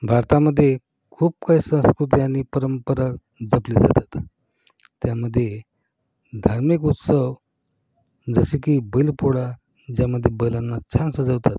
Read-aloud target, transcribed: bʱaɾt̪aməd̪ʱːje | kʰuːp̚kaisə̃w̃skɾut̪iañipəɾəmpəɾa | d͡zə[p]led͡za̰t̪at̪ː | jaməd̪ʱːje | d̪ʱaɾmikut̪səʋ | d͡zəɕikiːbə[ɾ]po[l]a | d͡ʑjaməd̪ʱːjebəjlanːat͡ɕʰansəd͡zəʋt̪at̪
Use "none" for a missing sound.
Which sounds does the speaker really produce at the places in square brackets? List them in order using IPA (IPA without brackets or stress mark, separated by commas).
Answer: p, l, ɽ